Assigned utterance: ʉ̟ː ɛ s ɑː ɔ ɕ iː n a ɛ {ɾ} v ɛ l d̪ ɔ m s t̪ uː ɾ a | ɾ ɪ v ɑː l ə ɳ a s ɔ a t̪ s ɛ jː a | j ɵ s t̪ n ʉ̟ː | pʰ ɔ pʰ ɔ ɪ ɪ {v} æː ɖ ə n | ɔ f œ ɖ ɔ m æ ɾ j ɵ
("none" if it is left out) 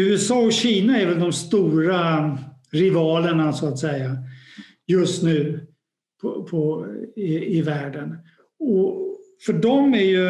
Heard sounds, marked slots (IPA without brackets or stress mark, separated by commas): ɾ, v